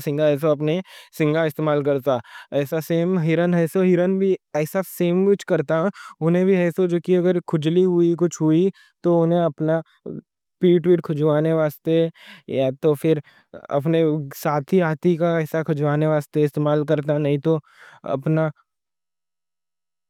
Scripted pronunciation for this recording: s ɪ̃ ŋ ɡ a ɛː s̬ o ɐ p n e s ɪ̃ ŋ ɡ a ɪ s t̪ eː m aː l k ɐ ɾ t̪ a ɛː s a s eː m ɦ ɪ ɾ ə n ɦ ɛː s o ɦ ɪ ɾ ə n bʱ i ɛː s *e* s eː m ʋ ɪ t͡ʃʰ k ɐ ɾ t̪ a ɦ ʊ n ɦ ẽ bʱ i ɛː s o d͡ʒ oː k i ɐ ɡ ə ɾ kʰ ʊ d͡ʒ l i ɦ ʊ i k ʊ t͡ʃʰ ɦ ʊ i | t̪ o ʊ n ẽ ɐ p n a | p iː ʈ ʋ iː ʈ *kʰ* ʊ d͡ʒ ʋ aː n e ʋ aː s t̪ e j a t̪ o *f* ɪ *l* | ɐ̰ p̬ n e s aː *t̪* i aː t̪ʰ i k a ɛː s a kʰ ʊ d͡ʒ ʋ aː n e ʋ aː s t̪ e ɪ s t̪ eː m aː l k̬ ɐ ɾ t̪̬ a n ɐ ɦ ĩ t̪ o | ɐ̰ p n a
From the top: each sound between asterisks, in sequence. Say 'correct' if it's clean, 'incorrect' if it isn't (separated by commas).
incorrect, correct, correct, incorrect, incorrect